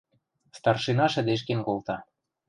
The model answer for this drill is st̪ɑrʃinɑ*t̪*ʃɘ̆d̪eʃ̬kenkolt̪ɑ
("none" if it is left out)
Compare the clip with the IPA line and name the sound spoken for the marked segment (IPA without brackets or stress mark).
none